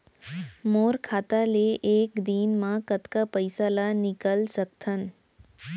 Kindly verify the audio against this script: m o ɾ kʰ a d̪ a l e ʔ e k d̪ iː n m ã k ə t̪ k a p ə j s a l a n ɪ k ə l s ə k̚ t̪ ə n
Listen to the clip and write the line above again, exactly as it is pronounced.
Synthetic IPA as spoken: m o ɾ kʰ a t̪ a l e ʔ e k d̪ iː n m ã k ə t̪ k a p ə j s a l a n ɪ k ə l s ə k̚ t̪ʰ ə n